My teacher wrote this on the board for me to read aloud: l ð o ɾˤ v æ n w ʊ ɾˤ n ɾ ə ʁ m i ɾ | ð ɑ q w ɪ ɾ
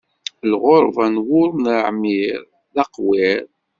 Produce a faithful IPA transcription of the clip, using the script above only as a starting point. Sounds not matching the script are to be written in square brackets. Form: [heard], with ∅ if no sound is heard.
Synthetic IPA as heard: l [ʁ] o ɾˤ v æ n w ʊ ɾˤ n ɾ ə [ʕ] m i ɾ | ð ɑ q w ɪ ɾ